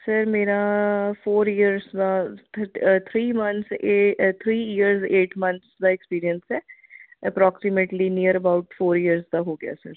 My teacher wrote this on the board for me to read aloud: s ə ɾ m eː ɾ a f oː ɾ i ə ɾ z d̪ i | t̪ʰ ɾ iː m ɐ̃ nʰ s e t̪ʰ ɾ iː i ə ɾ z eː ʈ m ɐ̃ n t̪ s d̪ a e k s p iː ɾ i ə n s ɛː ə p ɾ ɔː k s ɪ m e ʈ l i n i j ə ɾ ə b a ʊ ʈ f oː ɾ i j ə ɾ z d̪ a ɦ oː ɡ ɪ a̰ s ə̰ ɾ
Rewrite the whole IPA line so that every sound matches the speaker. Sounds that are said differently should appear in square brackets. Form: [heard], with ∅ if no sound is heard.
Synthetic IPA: s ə ɾ m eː ɾ a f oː ɾ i ə ɾ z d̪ [a] | t̪ʰ ɾ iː m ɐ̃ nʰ s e t̪ʰ ɾ iː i ə ɾ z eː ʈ m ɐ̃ n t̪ s d̪ a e k s p iː ɾ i ə n s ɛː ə p ɾ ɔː k s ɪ m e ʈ l i n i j ə ɾ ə b a ʊ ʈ f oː ɾ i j ə ɾ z d̪ a ɦ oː ɡ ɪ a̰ s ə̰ ɾ